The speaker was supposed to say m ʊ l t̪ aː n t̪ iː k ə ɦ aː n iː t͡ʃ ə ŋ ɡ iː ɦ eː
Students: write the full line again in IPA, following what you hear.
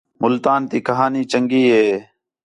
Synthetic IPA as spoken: m ʊ l t̪ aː n t̪ iː k ə ɦ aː n iː t͡ʃ ə ŋ ɡ iː ɦ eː